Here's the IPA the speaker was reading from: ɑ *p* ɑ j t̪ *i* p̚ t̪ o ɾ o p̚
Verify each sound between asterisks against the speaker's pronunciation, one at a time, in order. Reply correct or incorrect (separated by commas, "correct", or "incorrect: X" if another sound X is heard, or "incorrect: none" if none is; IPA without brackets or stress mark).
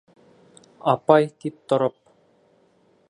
correct, correct